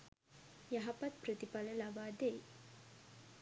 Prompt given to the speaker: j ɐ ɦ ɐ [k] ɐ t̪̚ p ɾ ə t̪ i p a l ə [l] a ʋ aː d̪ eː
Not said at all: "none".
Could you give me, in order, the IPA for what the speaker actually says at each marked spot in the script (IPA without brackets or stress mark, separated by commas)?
p, l